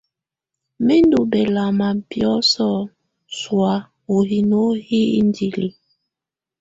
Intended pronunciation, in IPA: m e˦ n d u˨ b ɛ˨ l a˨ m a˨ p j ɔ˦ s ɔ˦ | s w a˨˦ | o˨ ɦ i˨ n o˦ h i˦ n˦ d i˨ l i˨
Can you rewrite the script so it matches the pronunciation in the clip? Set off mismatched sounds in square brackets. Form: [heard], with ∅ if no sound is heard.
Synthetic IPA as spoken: m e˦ n d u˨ b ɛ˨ l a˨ m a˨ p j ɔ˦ s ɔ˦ | s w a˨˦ | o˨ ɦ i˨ n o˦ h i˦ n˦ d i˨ l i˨